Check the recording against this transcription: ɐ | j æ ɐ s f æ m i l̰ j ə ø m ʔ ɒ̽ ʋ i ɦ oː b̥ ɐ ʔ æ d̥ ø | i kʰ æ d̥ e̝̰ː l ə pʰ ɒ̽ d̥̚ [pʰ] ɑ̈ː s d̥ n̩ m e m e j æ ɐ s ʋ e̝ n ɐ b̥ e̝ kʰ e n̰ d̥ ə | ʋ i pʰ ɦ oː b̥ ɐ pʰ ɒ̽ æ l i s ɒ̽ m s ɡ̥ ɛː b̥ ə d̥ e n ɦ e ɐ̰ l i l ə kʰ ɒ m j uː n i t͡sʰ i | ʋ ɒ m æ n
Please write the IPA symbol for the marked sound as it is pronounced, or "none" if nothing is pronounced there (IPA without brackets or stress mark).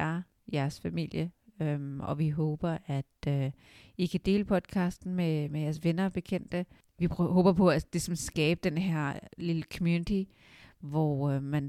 kʰ